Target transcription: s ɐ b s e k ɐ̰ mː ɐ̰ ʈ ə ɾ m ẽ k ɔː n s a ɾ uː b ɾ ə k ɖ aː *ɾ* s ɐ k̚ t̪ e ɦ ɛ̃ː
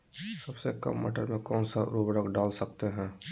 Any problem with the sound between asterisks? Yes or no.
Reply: yes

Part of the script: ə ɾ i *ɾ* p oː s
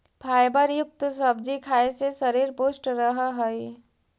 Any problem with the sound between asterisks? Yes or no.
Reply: no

